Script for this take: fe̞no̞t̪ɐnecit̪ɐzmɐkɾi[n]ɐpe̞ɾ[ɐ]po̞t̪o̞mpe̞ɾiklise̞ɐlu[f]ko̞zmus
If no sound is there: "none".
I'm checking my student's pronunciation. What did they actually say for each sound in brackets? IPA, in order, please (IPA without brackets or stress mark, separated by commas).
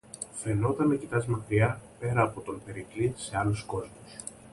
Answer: none, ɐː, s